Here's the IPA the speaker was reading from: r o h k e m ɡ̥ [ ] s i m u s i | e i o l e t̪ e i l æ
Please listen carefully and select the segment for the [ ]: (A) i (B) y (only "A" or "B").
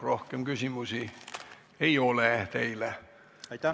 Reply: B